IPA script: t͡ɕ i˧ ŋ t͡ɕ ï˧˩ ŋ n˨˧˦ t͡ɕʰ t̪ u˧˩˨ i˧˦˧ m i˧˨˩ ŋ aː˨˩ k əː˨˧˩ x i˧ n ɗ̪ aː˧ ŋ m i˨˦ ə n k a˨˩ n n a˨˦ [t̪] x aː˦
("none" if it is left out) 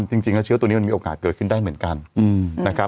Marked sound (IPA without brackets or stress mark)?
none